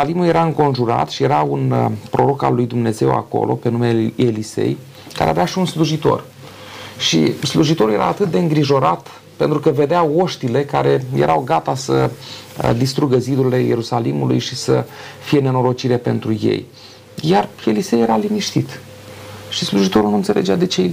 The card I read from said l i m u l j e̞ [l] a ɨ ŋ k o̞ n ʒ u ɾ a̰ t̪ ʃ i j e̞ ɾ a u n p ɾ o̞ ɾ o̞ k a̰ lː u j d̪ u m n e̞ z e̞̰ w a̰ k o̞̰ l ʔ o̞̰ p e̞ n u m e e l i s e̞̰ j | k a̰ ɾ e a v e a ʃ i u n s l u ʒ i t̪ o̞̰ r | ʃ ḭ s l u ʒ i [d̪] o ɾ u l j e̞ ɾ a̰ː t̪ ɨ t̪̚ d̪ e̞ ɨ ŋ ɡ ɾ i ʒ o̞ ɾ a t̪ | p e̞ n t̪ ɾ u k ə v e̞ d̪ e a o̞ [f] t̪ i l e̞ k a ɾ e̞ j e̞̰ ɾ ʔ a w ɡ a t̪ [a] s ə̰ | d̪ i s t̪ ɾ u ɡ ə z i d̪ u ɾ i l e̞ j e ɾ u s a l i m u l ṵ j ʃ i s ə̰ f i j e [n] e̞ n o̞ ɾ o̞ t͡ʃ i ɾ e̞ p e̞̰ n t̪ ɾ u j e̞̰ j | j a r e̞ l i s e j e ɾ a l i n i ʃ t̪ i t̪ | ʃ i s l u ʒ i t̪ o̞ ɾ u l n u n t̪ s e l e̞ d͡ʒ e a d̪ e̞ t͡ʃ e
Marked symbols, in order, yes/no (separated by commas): no, no, no, yes, yes